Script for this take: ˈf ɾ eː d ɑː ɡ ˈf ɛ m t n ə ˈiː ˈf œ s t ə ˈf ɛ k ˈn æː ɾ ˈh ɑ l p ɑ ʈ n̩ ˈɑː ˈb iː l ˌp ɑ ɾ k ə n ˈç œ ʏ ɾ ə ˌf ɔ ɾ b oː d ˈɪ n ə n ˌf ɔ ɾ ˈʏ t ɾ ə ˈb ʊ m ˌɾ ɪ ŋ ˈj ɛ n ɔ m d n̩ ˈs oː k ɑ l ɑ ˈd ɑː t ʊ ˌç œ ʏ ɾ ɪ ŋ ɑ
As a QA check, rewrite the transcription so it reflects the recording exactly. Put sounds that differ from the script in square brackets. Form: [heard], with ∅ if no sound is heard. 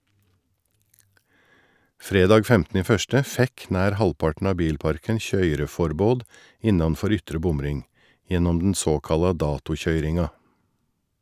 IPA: ˈf ɾ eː d ɑː ɡ ˈf ɛ m t n ə ˈiː ˈf œ s t ə ˈf ɛ k ˈn æː ɾ ˈh ɑ l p ɑ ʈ n̩ ˈɑː ˈb iː l ˌp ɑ ɾ k ə n ˈç œ ʏ ɾ ə ˌf ɔ ɾ b oː d ˈɪ n [ɑ] n ˌf ɔ ɾ ˈʏ t ɾ ə ˈb ʊ m ˌɾ ɪ ŋ ˈj ɛ n ɔ m d n̩ ˈs oː k ɑ l ɑ ˈd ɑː t ʊ ˌç œ ʏ ɾ ɪ ŋ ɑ